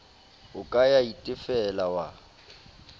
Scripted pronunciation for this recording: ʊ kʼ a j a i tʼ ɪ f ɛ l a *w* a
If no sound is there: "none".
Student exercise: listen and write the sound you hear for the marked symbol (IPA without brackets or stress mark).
w